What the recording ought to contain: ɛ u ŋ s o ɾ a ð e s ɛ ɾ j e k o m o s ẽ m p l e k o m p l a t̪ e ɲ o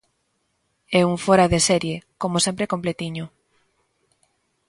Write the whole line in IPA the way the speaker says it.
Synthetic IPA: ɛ u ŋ f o ɾ a ð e s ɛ ɾ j e k o m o s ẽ m p ɾ e k o m p l e t̪ i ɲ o

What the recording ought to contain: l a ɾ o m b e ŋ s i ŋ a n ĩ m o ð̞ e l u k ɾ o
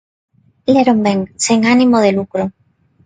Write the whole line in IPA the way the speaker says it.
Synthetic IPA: l e ɾ o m b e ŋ s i ŋ a n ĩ m o ð̞ e l u k ɾ o

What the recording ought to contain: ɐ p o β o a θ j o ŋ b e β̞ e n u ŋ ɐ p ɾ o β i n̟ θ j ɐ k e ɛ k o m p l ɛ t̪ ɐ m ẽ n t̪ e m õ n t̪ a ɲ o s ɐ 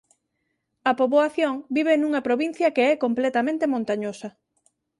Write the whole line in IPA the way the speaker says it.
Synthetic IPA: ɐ p o β o a θ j o ŋ b i β̞ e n u ŋ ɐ p ɾ o β i n̟ θ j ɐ k e ɛ k o m p l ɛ t̪ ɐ m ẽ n t̪ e m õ n t̪ a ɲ o s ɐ

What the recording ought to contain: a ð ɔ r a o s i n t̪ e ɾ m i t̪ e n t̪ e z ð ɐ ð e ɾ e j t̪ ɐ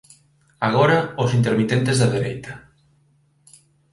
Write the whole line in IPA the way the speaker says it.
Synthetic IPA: a ɣ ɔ ɾ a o s i n t̪ e ɾ m i t̪ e n t̪ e z ð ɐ ð e ɾ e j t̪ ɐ

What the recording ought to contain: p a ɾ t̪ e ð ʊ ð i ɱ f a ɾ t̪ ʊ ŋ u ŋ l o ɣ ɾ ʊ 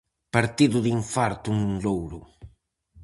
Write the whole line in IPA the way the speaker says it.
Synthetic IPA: p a ɾ t̪ i ð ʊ ð i ɱ f a ɾ t̪ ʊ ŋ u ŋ l o w ɾ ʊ

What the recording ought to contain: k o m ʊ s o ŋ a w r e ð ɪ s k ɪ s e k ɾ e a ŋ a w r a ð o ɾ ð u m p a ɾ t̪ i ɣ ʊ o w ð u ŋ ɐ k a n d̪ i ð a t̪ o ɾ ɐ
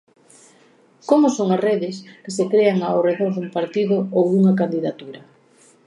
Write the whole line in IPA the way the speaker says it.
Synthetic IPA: k o m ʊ s o ŋ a r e ð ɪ s k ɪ s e k ɾ e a ŋ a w r e ð o ɾ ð u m p a ɾ t̪ i ð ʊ o w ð u ŋ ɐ k a n d̪ i ð a t̪ u ɾ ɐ

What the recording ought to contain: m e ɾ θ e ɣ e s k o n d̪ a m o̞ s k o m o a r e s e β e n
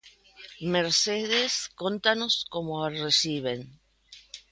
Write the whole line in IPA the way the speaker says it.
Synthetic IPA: m e ɾ s e ð e s k o n t̪ a n o̞ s k o m o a r e s i β e n

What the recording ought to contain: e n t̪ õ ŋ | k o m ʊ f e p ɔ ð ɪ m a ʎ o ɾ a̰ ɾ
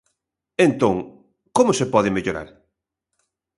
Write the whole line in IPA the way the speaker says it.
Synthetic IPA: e n t̪ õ ŋ | k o m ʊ s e p ɔ ð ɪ m e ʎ o ɾ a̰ ɾ

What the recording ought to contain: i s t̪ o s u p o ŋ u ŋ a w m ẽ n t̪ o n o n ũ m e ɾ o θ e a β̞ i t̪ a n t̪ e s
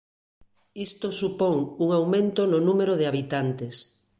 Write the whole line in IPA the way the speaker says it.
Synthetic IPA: i s t̪ o s u p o ŋ u ŋ a w m ẽ n t̪ o n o n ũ m e ɾ o ð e a β̞ i t̪ a n t̪ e s

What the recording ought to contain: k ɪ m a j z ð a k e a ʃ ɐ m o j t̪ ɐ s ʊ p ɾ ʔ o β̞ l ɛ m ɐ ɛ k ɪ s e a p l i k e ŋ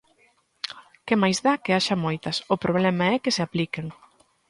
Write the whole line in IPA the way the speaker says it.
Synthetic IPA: k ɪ m a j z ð a k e a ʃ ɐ m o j t̪ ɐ s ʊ p ɾ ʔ o β̞ l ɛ m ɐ ɛ k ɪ s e a p l i k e ŋ

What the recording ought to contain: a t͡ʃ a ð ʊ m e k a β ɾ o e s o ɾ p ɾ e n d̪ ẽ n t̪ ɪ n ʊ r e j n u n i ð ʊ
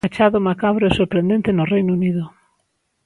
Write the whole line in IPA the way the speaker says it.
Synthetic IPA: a t͡ʃ a ð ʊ m a k a β ɾ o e s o ɾ p ɾ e n d̪ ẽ n t̪ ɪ n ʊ r e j n u n i ð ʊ

